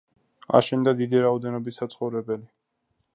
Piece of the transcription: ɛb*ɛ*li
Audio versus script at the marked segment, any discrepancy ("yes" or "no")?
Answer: no